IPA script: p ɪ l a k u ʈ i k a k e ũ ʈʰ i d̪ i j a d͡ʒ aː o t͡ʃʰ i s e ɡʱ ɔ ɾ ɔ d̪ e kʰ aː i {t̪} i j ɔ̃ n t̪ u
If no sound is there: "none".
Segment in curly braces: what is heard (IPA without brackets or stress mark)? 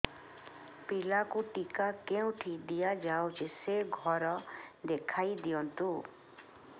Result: d̪